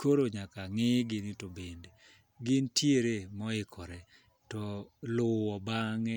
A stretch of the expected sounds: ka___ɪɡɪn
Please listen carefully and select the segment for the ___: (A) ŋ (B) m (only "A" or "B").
A